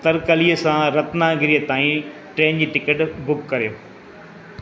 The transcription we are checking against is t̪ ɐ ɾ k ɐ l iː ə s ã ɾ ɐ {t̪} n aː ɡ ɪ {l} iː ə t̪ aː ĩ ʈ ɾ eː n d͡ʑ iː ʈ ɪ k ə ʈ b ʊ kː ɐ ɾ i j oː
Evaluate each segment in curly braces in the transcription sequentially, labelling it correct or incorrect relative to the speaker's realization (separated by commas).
correct, incorrect